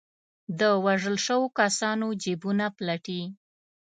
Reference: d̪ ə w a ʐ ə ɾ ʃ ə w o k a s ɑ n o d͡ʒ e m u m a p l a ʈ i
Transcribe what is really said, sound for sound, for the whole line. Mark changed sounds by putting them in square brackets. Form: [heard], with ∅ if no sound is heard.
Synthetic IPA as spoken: d̪ ə w a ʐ ə [l] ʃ ə w o k a s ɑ n o d͡ʒ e [b] u [n] a p l a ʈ i